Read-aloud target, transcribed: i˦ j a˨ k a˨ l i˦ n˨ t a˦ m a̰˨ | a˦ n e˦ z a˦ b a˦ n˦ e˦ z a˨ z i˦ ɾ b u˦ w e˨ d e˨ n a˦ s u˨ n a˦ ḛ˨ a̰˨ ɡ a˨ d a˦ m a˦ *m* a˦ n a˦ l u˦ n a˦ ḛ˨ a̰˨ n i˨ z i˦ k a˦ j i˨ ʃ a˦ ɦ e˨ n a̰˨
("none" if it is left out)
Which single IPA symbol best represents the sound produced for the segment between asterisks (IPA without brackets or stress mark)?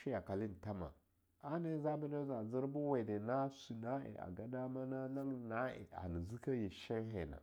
n